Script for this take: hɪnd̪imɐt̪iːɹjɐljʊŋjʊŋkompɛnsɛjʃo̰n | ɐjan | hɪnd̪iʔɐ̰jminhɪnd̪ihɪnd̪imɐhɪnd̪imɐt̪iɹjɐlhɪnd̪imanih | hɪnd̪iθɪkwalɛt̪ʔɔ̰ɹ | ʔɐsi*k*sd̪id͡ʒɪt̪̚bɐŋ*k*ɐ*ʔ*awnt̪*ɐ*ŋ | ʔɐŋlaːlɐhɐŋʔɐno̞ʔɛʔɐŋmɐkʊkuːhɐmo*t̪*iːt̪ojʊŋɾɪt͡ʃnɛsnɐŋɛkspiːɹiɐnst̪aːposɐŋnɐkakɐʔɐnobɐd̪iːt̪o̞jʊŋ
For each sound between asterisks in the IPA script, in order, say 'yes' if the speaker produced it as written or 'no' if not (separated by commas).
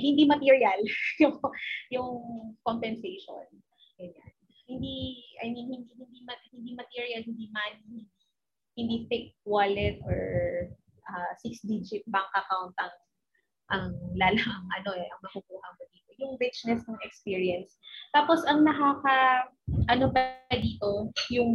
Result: yes, yes, no, yes, no